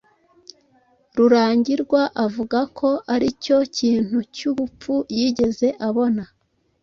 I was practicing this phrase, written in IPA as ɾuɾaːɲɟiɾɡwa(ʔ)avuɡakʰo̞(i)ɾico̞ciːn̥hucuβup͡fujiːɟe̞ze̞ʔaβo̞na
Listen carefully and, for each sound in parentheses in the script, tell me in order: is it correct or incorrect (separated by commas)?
correct, incorrect